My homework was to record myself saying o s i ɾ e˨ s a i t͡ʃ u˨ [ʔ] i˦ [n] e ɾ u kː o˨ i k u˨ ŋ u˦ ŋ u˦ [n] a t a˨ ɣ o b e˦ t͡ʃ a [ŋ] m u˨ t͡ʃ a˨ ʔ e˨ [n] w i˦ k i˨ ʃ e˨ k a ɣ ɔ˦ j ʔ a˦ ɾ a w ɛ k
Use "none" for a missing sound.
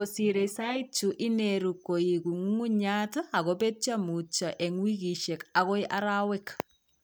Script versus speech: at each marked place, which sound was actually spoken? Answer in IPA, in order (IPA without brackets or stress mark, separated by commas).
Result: ʔ, n, ɲ, none, ŋ